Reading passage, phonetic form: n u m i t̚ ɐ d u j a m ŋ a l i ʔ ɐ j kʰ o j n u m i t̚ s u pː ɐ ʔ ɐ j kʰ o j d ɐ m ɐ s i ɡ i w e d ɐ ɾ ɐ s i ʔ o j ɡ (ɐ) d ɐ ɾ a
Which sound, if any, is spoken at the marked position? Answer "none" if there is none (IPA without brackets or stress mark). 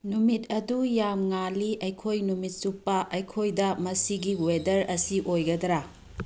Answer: ɐ